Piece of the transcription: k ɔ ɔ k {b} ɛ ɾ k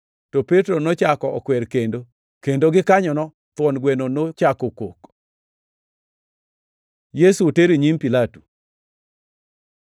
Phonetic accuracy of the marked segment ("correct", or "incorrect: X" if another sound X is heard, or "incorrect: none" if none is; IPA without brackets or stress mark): incorrect: w